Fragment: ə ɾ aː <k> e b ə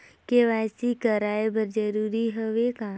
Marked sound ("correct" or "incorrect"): incorrect